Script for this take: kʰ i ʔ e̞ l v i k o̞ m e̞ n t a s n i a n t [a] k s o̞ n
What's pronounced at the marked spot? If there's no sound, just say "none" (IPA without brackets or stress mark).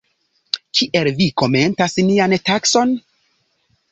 a